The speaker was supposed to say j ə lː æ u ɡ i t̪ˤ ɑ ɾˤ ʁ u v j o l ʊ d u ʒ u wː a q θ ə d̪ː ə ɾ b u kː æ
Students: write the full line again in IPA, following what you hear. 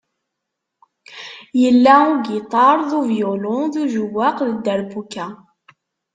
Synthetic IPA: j ə lː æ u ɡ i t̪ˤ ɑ ɾˤ ð u v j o l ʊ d u ʒ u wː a q ð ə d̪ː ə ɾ b u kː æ